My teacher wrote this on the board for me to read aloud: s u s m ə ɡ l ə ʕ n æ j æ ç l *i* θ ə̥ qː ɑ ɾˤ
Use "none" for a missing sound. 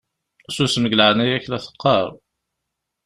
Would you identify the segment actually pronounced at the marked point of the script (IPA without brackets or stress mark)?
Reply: æ